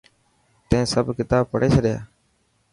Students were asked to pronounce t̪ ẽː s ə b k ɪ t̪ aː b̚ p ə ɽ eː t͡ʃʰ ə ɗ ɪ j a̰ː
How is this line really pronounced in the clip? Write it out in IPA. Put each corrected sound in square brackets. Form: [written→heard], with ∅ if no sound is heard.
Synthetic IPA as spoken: t̪ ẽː s ə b k ɪ t̪ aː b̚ p ə ɽ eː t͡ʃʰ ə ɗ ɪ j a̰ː